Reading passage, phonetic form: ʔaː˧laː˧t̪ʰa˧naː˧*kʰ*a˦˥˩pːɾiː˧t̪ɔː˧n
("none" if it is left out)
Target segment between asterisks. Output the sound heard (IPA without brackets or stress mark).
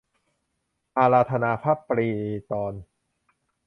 pʰ